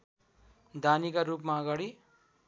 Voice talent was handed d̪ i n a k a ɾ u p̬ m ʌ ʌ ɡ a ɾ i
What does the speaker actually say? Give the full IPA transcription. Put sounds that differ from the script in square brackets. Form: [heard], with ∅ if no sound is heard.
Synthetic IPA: d̪ [a] n [i] k a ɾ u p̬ m [a] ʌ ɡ a [ɽ] i